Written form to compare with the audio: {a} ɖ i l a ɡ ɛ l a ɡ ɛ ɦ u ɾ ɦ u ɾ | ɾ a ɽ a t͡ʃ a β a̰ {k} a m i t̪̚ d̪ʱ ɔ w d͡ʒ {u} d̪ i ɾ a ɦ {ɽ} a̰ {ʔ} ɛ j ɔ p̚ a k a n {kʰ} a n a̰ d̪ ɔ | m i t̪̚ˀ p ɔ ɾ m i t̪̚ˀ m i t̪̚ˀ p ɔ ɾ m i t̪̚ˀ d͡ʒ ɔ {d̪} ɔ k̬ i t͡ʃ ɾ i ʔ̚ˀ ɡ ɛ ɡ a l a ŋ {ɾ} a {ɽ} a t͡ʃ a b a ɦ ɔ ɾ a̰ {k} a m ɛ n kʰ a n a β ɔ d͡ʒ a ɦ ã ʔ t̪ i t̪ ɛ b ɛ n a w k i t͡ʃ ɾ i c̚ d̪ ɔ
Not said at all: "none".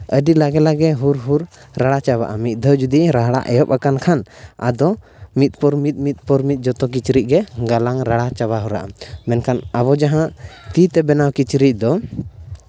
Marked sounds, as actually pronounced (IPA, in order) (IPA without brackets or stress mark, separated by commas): ə, ʔ, u, ɽ, ʔ, kʰ, t̪, ɾ, ɽ, ʔ